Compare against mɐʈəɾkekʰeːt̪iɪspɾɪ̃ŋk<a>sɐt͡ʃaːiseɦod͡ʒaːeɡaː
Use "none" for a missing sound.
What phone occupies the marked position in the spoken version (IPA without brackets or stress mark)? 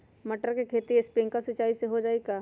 a